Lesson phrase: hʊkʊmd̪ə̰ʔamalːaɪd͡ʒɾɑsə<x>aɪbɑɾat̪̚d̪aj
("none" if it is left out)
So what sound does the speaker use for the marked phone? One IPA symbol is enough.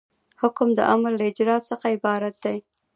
x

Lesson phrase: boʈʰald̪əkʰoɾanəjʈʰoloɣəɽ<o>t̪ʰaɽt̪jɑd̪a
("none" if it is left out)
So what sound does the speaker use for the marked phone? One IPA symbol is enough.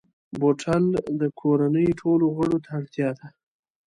o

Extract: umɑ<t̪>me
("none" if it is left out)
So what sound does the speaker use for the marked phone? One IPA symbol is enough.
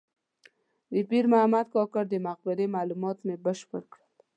t̪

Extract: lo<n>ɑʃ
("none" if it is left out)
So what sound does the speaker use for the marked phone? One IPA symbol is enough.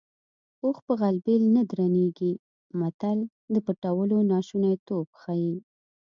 n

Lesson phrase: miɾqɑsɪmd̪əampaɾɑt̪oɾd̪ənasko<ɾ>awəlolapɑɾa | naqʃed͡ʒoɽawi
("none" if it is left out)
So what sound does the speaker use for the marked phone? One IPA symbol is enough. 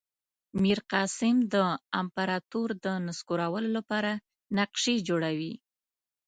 ɾ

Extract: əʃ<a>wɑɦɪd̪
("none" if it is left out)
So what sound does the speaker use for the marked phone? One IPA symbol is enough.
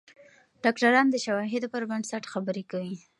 a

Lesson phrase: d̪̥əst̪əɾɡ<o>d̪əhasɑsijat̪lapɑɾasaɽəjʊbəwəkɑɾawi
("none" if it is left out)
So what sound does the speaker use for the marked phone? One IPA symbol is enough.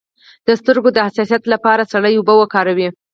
o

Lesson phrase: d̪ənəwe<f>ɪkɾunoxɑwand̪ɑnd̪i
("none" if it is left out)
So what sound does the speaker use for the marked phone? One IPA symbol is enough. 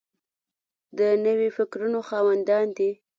f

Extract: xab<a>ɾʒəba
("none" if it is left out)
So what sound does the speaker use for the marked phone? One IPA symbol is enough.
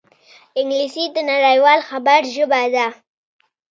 a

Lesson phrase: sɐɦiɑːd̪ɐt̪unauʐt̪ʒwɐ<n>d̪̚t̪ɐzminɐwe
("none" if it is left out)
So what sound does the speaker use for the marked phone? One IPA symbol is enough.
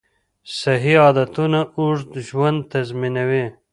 n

